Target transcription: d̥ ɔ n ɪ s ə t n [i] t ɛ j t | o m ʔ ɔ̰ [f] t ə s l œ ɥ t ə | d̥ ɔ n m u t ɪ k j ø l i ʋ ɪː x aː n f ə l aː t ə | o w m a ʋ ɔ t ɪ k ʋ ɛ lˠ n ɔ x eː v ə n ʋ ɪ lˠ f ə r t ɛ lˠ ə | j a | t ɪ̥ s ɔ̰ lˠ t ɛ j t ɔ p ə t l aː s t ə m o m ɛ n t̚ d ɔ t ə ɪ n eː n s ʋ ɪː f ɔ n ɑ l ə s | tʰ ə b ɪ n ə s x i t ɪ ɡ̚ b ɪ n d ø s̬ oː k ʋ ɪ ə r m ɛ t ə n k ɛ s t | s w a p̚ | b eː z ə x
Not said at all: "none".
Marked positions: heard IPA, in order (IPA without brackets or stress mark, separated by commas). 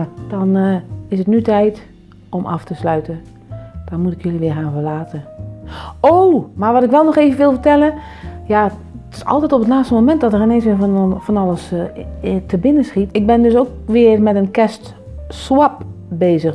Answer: y, f